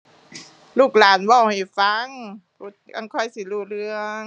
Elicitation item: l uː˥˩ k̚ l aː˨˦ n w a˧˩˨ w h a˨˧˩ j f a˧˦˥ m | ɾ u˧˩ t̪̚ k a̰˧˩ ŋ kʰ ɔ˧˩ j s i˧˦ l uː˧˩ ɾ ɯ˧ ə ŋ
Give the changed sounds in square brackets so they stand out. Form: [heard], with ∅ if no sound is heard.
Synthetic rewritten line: l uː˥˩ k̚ l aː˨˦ n w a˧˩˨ w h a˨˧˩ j f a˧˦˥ [ŋ] | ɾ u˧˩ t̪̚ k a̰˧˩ ŋ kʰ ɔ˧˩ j s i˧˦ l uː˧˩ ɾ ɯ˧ ə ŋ